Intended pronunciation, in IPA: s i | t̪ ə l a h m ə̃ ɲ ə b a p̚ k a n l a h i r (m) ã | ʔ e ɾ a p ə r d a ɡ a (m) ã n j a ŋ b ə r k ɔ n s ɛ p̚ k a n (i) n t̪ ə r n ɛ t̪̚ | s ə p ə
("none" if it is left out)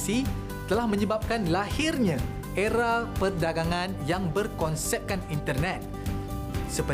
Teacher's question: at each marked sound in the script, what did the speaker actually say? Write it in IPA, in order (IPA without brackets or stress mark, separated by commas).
ɲ, ŋ, i